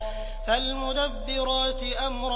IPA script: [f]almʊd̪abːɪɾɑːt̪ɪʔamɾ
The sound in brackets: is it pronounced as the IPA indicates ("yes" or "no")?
yes